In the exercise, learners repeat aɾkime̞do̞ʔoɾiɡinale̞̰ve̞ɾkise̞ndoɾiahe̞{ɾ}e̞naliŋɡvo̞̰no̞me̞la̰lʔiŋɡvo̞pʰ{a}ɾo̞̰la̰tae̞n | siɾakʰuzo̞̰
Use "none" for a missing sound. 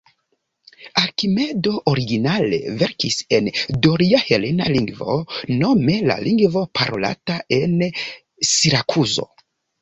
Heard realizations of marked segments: l, a

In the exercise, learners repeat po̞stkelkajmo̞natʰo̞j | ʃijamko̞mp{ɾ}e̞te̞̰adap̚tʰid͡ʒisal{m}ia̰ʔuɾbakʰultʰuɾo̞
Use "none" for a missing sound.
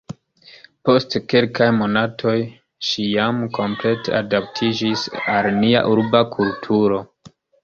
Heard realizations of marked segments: l, n

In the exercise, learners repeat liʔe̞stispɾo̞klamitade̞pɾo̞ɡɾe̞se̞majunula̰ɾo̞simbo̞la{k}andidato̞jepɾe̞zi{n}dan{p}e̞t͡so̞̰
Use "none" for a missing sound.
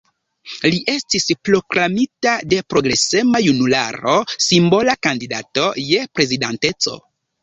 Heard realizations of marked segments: k, none, t

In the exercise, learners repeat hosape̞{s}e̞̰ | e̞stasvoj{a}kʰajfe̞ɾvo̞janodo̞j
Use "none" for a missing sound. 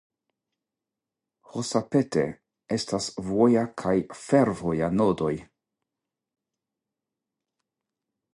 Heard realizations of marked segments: t, a

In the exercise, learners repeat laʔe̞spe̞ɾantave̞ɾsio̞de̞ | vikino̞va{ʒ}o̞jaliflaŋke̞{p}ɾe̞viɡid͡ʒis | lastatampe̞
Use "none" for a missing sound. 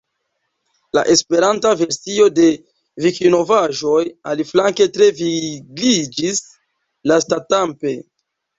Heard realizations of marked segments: ʒ, t

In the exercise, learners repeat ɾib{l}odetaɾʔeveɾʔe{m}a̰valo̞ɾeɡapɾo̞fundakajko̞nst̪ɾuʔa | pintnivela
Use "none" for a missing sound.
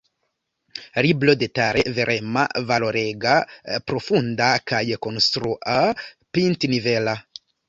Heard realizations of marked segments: l, m

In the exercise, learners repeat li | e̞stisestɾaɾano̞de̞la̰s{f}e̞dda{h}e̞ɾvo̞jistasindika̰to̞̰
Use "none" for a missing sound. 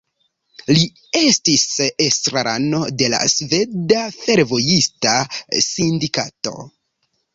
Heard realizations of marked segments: v, f

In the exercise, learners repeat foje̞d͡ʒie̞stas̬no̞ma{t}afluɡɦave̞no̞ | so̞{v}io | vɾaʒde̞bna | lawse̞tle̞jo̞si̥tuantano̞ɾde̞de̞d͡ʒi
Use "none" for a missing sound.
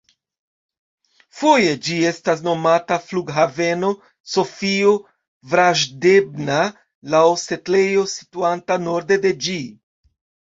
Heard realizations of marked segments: t, f

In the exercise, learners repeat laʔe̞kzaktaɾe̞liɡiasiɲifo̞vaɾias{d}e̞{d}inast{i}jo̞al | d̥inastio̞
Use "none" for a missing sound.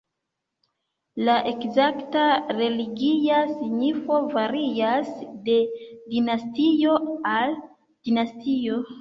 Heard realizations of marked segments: d, d, i

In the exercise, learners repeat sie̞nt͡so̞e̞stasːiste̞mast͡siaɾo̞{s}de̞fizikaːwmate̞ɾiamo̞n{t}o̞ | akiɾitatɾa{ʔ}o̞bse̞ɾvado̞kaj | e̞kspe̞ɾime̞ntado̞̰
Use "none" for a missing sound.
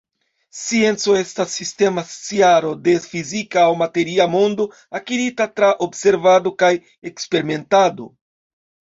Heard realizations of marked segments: none, d, ʔ

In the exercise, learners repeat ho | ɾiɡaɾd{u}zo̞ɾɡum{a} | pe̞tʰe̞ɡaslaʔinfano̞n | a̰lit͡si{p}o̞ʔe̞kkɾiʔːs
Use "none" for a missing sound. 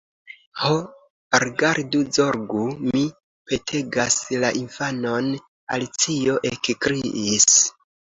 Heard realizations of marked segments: u, i, none

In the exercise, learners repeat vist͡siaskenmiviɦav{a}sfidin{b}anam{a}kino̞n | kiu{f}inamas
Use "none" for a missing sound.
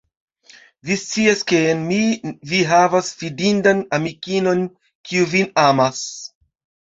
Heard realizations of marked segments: a, d, i, v

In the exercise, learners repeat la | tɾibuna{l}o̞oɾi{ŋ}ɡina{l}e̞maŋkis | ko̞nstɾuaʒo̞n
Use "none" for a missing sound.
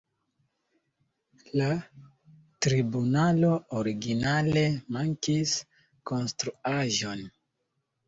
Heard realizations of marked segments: l, none, l

